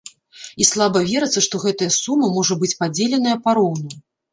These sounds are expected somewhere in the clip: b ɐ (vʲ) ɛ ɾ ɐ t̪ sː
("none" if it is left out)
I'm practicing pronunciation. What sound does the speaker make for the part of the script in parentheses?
vʲ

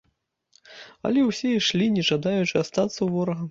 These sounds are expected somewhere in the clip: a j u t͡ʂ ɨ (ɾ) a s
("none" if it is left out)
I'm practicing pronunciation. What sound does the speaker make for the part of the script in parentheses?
none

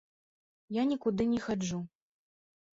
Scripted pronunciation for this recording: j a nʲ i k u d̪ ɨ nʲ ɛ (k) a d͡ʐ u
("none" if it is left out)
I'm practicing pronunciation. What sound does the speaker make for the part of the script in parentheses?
x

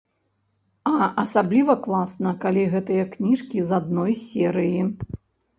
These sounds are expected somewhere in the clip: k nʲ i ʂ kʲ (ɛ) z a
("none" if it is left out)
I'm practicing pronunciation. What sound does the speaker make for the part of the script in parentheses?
i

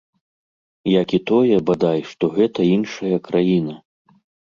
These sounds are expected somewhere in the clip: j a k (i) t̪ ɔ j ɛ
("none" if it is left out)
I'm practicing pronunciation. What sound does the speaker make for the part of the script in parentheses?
i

